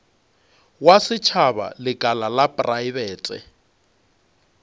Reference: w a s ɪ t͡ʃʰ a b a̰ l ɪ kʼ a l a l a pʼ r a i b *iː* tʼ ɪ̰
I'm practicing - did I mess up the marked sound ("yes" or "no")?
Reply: yes